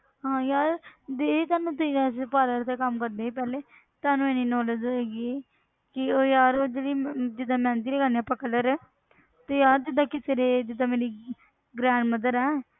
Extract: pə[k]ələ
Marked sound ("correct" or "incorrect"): correct